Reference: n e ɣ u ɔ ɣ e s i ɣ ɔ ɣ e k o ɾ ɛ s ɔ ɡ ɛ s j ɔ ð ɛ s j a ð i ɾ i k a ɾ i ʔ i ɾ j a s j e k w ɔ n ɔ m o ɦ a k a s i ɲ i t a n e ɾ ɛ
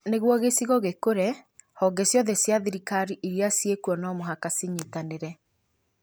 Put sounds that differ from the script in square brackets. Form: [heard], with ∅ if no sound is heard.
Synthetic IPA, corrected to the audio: n e ɣ [w] ɔ ɣ e s i ɣ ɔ ɣ e k o ɾ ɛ [h] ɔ ɡ ɛ s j ɔ ð ɛ s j a ð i ɾ i k a ɾ i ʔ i ɾ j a s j e k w ɔ n ɔ m o ɦ a k a s i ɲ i t a n e ɾ ɛ